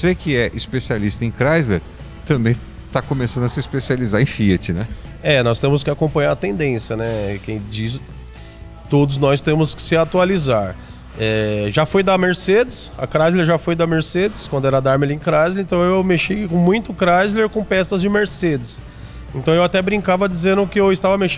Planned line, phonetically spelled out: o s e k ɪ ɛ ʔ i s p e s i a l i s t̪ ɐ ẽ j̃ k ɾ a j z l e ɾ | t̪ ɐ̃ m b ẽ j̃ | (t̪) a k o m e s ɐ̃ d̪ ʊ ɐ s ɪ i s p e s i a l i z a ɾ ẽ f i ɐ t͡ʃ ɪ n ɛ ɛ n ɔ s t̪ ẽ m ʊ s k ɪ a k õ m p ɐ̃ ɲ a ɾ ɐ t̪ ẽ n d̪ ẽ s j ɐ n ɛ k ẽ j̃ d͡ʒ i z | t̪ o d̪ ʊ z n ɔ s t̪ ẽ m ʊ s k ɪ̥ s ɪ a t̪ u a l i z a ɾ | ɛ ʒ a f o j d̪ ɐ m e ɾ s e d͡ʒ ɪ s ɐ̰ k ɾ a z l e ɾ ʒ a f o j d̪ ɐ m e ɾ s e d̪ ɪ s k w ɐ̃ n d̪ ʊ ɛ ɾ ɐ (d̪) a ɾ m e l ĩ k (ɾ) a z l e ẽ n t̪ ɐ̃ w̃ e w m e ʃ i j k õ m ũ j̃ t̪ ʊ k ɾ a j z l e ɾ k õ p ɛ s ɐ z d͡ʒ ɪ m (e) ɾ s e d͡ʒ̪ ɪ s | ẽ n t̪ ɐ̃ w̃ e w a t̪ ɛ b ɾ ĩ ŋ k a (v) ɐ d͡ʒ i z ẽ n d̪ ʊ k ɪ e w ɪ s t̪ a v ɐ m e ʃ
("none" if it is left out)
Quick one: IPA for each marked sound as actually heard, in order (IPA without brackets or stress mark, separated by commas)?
t̪, d̪, ɾ, e, v